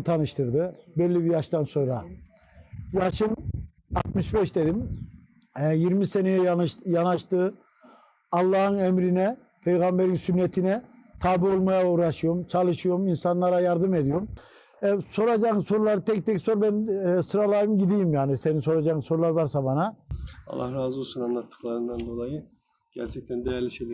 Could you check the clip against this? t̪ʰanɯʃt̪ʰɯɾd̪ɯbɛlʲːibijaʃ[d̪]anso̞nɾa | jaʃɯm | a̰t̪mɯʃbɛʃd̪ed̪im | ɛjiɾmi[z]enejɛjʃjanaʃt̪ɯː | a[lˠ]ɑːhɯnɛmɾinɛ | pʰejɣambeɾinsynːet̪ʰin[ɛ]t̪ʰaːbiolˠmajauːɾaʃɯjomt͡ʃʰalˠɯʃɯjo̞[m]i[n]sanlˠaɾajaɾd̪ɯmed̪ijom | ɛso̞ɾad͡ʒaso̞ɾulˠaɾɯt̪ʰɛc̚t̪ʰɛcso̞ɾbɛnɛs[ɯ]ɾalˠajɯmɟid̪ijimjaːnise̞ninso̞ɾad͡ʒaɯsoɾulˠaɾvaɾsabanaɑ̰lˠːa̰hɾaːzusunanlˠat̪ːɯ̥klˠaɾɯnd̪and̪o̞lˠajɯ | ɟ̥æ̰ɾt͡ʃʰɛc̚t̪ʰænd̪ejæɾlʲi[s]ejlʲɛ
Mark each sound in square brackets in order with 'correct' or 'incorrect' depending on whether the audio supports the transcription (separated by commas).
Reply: incorrect, incorrect, incorrect, correct, correct, correct, correct, incorrect